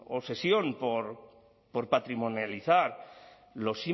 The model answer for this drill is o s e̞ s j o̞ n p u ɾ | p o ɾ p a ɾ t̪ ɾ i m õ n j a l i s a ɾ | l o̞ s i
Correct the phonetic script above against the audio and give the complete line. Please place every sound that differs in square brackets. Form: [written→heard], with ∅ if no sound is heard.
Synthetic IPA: o s e̞ s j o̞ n p [u→o] ɾ | p o ɾ p a [ɾ→∅] t̪ ɾ i m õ n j a l i [s→θ] a ɾ | l o̞ s i